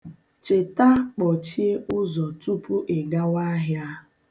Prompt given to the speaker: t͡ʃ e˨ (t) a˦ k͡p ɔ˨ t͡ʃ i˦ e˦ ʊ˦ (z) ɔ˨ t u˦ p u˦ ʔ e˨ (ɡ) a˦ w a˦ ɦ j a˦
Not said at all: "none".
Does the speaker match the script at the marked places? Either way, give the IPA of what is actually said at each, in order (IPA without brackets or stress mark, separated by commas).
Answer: t, z, ɡ